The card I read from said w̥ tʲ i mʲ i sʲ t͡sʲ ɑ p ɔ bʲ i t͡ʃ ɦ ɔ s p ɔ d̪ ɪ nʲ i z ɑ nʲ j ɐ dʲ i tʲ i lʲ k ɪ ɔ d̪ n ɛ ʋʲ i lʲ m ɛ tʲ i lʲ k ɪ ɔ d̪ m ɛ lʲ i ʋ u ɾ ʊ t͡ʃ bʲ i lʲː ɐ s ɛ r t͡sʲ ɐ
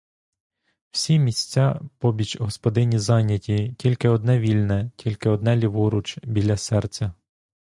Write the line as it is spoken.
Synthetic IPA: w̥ sʲ i mʲ i sʲ t͡sʲ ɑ p ɔ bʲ i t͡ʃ ɦ ɔ s p ɔ d̪ ɪ nʲ i z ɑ nʲ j ɐ tʲ i tʲ i lʲ k ɪ ɔ d̪ n ɛ ʋʲ i lʲ n ɛ tʲ i lʲ k ɪ ɔ d̪ n ɛ lʲ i ʋ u ɾ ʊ t͡ʃ bʲ i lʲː ɐ s ɛ r t͡sʲ ɐ